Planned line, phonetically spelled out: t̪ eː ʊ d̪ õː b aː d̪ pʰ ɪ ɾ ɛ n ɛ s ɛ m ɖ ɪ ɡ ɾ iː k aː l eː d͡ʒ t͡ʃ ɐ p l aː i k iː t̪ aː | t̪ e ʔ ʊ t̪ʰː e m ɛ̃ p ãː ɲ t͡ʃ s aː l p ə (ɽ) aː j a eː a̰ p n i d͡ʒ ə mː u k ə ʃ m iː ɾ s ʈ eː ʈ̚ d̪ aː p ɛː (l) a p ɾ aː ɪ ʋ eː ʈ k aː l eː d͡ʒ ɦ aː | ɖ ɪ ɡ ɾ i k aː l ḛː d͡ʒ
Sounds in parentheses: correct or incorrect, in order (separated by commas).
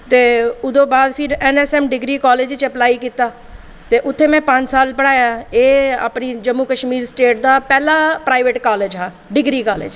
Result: correct, correct